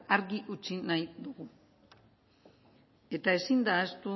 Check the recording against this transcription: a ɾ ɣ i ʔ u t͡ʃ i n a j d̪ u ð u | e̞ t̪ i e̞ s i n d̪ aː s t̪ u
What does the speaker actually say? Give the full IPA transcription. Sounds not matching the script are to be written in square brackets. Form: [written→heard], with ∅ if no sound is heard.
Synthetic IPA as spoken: a ɾ ɣ i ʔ u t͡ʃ i n a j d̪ u [ð→ɣ] u | e̞ t̪ [i→a] e̞ s i n d̪ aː s t̪ u